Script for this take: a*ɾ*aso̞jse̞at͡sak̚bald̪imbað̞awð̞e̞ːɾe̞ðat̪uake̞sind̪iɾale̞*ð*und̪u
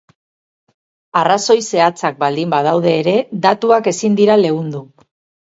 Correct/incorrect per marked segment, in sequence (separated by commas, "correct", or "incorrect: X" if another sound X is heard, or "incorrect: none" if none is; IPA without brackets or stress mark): incorrect: r, incorrect: ɣ